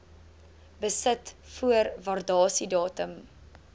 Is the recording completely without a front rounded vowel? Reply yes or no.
yes